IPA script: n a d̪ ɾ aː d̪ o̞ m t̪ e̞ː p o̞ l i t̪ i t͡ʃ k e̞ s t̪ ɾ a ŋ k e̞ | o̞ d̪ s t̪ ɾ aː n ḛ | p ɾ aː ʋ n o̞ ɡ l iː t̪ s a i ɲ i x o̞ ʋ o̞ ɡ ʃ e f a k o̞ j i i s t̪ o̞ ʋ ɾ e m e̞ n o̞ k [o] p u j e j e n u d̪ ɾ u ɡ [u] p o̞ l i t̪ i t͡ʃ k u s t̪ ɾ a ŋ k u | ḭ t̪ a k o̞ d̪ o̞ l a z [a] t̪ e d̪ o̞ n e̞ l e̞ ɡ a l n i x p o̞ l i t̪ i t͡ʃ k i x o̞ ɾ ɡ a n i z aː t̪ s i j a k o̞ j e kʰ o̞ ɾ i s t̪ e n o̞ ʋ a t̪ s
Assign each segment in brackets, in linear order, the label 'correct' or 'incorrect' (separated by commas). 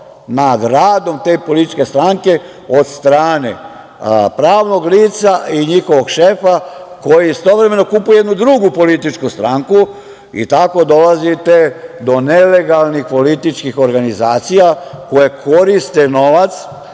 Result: incorrect, correct, incorrect